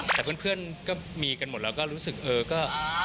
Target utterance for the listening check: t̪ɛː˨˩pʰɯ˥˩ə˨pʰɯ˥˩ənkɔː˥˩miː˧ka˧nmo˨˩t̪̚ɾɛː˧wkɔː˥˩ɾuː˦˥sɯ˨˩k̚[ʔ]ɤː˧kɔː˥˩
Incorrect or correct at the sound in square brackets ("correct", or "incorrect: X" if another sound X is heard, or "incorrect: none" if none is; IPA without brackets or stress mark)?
correct